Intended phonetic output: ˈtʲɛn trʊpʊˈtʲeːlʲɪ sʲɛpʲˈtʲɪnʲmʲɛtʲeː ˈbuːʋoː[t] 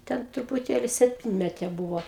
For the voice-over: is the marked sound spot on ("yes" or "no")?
no